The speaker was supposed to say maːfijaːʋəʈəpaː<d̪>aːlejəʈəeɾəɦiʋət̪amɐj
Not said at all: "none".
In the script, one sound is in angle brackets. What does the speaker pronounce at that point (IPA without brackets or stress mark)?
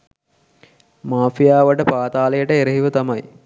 t̪